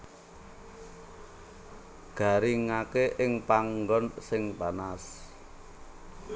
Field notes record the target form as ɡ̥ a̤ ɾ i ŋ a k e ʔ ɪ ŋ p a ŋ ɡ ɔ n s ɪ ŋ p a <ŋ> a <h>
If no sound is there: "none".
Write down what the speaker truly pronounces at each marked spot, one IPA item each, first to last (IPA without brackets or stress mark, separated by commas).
n, s